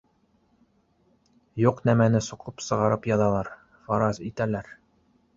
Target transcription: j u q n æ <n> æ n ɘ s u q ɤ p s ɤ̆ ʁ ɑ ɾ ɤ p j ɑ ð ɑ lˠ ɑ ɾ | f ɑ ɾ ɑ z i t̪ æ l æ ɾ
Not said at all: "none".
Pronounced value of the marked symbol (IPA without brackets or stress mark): m